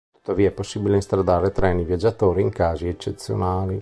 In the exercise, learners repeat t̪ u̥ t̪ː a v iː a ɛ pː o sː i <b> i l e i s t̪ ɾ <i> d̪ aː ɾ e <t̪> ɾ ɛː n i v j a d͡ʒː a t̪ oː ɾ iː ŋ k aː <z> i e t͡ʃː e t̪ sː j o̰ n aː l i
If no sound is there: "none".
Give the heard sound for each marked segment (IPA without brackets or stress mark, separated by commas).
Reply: b, a, t̪, z